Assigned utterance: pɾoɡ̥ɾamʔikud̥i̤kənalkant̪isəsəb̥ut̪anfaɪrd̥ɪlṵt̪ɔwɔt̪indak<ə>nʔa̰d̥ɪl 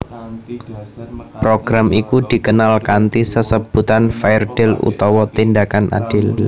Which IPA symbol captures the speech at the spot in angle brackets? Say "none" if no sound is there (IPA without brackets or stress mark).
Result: a